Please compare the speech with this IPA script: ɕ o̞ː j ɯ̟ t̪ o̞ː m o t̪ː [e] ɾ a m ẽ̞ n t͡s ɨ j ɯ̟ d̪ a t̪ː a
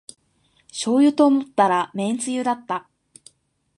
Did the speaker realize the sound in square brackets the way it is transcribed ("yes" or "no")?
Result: no